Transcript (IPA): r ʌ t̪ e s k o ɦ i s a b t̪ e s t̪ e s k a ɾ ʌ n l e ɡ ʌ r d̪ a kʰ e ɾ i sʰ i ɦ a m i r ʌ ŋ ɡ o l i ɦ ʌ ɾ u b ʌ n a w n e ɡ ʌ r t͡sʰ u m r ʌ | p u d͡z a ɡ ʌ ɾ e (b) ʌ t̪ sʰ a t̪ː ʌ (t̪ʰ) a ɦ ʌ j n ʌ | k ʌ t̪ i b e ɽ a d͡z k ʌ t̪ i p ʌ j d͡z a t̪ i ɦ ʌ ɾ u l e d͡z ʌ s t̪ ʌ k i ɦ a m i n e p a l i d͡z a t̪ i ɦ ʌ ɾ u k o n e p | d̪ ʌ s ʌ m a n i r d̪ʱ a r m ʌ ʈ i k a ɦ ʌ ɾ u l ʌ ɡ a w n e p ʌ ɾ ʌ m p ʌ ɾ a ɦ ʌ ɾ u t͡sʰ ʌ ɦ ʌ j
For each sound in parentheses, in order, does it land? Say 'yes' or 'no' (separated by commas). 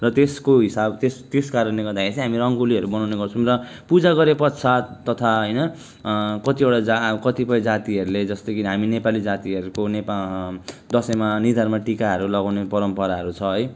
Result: no, yes